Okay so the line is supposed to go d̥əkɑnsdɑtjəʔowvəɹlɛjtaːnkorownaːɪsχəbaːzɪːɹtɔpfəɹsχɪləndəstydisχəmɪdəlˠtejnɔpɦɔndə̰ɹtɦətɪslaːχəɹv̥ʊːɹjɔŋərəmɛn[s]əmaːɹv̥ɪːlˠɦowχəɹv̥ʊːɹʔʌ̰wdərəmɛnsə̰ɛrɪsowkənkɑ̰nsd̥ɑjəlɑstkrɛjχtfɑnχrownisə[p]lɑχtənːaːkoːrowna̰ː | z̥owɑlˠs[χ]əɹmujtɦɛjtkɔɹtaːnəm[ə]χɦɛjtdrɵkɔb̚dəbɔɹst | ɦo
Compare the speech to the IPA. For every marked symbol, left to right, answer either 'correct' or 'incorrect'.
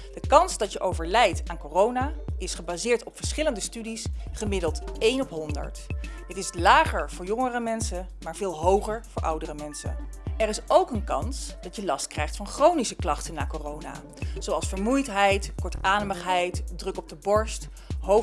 correct, incorrect, incorrect, correct

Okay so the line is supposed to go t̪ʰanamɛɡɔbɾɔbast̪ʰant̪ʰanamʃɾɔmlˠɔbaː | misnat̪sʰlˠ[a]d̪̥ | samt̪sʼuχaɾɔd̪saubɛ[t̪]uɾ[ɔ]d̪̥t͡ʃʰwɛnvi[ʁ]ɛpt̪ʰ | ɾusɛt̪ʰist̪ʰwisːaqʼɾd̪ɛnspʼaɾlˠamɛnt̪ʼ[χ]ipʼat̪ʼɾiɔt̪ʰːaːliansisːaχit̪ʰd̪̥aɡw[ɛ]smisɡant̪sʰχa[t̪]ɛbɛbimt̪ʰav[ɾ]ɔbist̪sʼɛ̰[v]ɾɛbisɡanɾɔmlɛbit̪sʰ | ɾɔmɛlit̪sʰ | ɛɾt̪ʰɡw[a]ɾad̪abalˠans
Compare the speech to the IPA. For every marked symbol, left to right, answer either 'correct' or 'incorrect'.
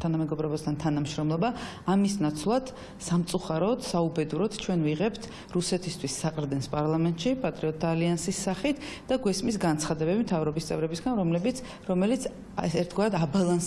correct, incorrect, correct, correct, incorrect, correct, incorrect, correct, correct, correct

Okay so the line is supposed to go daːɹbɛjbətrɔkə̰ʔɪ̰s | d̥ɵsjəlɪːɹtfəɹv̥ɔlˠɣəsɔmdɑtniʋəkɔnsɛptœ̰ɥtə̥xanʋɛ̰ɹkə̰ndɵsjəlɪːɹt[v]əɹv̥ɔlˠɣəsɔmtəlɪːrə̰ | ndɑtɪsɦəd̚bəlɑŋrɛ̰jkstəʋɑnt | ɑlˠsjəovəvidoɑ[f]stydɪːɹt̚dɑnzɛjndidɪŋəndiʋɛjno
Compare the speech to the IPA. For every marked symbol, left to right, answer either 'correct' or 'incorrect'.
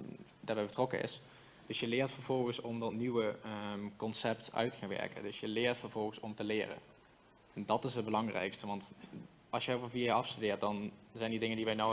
incorrect, correct

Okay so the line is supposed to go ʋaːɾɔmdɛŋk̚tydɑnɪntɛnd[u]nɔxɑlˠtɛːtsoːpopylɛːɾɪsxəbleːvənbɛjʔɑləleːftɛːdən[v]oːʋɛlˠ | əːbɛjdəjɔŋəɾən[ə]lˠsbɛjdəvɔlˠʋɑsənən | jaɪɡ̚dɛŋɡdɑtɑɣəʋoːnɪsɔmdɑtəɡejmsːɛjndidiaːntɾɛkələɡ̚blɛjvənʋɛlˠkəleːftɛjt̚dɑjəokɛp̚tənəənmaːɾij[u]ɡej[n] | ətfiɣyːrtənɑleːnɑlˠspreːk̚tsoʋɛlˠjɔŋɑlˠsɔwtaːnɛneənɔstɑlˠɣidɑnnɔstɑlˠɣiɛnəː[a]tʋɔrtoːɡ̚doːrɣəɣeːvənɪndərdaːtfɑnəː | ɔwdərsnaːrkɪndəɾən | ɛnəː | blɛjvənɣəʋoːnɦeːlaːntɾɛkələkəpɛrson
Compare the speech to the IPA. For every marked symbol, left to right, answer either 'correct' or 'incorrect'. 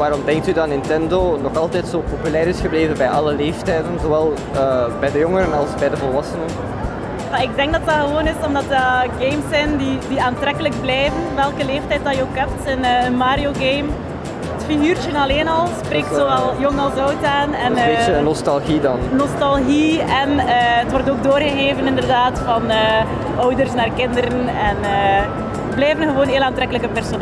incorrect, incorrect, incorrect, incorrect, incorrect, incorrect

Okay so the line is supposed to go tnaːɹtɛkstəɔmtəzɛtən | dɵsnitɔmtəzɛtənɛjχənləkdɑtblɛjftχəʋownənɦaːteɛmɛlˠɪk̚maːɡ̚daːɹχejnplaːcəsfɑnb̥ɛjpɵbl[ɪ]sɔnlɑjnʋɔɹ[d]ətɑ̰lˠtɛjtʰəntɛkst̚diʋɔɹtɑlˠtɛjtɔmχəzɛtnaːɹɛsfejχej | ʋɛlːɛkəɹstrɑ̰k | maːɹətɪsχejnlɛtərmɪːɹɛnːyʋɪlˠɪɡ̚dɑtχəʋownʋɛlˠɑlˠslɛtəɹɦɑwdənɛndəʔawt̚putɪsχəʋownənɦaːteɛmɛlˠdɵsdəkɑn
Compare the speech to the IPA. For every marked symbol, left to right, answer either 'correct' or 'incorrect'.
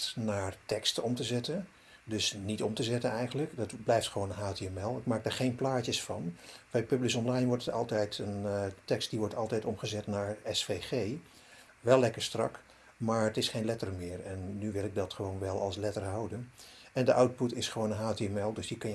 correct, incorrect

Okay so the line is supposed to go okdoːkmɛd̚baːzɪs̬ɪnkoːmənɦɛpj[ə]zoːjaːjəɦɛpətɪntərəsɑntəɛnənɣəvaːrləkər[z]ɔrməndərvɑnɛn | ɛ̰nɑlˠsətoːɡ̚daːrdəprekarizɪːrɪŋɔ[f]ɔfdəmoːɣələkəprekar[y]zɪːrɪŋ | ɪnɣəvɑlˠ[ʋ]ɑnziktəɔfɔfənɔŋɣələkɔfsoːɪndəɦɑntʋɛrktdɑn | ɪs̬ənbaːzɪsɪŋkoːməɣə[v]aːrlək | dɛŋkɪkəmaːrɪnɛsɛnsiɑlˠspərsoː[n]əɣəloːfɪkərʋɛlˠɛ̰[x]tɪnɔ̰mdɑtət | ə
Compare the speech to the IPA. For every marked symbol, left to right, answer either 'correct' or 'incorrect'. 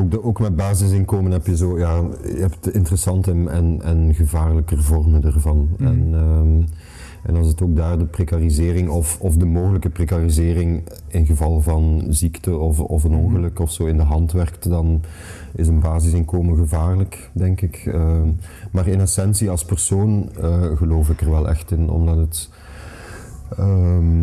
correct, incorrect, correct, incorrect, incorrect, correct, correct, correct

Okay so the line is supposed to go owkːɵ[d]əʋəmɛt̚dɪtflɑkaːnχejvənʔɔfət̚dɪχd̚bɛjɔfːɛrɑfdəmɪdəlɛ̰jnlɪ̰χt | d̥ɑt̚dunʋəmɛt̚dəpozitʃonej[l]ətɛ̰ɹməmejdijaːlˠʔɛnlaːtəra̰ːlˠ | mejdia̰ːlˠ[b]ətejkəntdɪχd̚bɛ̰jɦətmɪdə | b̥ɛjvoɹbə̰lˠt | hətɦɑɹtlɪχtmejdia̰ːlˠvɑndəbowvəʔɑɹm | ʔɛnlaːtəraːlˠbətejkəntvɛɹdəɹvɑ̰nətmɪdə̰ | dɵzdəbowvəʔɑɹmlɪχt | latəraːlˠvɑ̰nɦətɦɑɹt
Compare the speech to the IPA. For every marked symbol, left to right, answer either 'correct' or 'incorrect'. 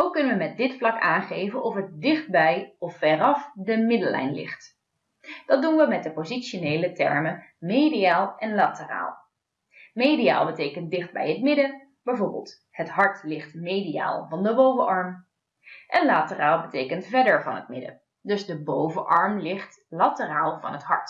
incorrect, correct, correct

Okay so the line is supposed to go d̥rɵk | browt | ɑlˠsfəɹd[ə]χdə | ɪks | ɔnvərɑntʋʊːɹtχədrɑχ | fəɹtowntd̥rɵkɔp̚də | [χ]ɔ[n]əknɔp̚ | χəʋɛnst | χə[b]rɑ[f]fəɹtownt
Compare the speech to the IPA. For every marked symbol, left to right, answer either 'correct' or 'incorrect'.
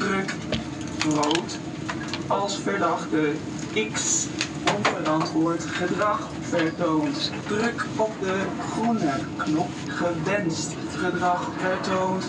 incorrect, correct, correct, incorrect, incorrect

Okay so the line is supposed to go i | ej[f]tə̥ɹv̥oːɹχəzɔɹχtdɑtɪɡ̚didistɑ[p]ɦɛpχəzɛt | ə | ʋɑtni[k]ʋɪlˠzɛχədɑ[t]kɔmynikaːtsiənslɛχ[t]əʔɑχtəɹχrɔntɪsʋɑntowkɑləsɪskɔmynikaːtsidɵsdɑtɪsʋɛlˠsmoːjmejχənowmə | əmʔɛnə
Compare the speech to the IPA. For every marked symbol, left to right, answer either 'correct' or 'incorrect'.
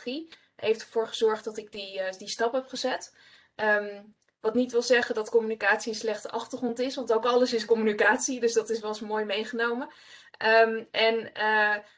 correct, correct, incorrect, correct, correct

